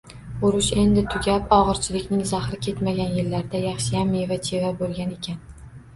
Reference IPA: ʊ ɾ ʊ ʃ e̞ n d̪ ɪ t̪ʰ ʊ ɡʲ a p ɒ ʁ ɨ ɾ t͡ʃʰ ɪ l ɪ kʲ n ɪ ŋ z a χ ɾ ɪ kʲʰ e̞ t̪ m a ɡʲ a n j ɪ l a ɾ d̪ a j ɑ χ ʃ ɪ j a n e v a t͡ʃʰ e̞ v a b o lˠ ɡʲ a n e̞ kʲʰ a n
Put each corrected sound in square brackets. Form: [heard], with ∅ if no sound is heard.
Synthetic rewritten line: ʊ ɾ ʊ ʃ e̞ n d̪ ɪ t̪ʰ ʊ ɡʲ a p ɒ ʁ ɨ ɾ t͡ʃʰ ɪ l ɪ kʲ n ɪ ŋ z a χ ɾ ɪ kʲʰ e̞ t̪ m a ɡʲ a n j ɪ [lː] a ɾ d̪ a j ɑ χ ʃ ɪ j a [m] e v a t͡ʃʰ e̞ v a b o lˠ ɡʲ a n e̞ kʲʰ a n